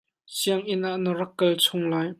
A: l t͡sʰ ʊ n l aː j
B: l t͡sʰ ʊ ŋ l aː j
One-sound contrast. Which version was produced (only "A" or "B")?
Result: B